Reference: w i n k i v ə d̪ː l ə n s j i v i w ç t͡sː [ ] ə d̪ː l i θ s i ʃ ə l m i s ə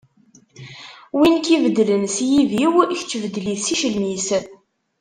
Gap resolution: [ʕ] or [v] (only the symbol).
v